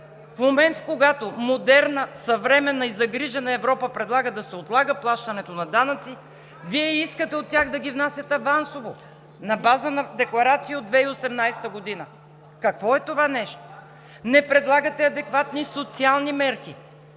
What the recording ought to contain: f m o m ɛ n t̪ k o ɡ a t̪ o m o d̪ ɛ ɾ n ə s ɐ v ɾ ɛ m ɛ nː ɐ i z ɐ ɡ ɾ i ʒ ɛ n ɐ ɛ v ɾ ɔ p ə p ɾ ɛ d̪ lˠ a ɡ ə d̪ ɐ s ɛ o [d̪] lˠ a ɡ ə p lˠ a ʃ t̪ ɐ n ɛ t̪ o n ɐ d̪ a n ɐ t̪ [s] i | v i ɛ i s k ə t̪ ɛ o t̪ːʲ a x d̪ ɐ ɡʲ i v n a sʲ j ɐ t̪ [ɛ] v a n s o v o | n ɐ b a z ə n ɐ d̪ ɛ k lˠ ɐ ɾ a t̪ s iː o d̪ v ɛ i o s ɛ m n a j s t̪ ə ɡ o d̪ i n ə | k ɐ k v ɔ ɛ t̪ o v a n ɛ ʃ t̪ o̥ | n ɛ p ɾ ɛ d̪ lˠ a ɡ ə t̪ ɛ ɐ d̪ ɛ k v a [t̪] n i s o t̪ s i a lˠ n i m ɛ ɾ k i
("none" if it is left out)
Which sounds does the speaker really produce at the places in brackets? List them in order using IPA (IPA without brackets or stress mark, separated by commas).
t̪, s, ɛ, t̪